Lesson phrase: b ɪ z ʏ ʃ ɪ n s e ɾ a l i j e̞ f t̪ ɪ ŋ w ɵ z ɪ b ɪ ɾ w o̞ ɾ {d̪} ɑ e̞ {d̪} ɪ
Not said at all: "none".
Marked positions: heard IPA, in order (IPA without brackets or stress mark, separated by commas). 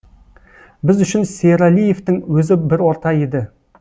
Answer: t̪, d̪